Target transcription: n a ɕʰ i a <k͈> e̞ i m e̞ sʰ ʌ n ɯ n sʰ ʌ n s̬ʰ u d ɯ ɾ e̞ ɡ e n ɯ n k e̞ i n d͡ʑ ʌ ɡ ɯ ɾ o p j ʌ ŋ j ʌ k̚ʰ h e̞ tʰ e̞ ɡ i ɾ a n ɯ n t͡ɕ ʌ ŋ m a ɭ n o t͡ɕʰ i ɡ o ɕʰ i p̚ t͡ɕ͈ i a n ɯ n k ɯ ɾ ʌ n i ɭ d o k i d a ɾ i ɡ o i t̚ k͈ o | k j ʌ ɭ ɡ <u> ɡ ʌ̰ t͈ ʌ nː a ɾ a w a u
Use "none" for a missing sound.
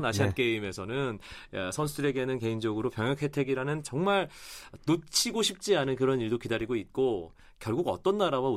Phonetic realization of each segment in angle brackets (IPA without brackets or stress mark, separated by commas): k͈, u